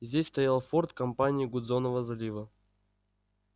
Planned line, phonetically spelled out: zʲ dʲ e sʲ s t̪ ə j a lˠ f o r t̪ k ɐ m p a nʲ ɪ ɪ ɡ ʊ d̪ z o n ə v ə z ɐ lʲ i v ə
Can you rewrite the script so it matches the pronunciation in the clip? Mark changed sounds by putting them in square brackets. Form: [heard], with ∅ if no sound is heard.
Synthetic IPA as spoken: zʲ dʲ e sʲ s t̪ [ɐ] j a lˠ f o r t̪ k ɐ m p a nʲ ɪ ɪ ɡ ʊ d̪ z o n ə v ə z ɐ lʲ i v ə

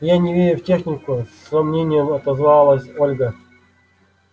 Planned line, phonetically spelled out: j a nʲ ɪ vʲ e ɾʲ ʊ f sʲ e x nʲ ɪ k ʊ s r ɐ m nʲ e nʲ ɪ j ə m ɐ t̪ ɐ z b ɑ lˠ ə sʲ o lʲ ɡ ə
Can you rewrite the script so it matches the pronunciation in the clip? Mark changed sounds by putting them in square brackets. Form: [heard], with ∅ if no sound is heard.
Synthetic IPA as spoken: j a nʲ ɪ vʲ e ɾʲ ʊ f [tʲ] e x nʲ ɪ k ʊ s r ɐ m nʲ e nʲ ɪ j ə m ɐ t̪ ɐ z [v] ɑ lˠ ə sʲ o lʲ ɡ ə

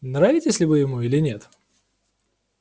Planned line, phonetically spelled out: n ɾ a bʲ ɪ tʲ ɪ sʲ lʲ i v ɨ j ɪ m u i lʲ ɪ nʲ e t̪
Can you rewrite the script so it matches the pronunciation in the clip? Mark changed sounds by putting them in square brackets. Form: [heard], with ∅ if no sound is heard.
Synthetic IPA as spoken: n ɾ a [vʲ] ɪ tʲ ɪ sʲ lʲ [ɪ] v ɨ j ɪ m u i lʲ ɪ nʲ e t̪

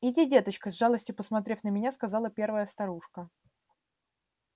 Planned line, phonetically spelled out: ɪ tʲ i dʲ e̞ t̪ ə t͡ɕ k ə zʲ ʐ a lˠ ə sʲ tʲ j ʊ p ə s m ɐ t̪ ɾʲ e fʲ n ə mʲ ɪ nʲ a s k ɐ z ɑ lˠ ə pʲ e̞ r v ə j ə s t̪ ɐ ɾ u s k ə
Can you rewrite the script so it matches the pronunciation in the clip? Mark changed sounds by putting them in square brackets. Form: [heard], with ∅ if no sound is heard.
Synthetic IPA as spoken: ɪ [dʲ] i dʲ e̞ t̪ ə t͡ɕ k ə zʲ ʐ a lˠ ə sʲ tʲ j ʊ p ə s m ɐ t̪ ɾʲ e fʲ n ə mʲ ɪ nʲ a s k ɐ z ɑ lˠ ə pʲ e̞ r v ə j ə s t̪ ɐ ɾ u [ʂ] k ə

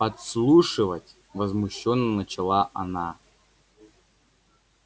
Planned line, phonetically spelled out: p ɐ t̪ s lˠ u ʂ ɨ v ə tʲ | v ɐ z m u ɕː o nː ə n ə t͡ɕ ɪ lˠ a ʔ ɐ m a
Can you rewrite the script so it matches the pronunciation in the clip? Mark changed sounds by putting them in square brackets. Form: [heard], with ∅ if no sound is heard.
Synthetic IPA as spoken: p ɐ t̪ s lˠ u ʂ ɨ v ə tʲ | v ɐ z m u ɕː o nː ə n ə t͡ɕ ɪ lˠ a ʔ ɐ [n] a

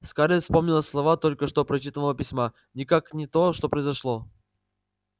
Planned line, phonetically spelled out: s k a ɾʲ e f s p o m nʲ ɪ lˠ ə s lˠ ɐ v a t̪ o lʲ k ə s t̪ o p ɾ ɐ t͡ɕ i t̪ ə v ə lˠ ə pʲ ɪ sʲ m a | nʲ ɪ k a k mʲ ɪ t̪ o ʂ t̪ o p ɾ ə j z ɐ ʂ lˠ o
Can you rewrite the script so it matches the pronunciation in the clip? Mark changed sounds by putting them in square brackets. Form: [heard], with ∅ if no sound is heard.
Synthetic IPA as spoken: s k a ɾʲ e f s p o m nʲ ɪ lˠ ə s lˠ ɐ v a t̪ o lʲ k ə [ʂ] t̪ o p ɾ ɐ t͡ɕ i t̪ ə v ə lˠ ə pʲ ɪ sʲ m a | nʲ ɪ k a k [nʲ] ɪ t̪ o ʂ t̪ o p ɾ ə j z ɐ ʂ lˠ o

